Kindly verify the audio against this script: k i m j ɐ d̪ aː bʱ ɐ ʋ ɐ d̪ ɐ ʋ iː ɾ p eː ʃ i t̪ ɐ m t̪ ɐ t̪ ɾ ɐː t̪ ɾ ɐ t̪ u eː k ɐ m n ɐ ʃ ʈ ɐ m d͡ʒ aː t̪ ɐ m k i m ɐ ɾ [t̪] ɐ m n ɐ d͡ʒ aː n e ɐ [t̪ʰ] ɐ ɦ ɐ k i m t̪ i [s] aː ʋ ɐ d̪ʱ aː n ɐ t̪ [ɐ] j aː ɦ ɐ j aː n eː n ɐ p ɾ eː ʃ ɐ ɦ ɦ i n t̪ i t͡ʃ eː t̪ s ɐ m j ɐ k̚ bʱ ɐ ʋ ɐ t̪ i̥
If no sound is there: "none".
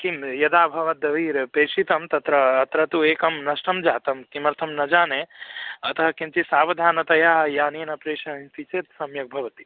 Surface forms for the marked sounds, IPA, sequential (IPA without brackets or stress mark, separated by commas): t̪ʰ, t̪, s, ɐ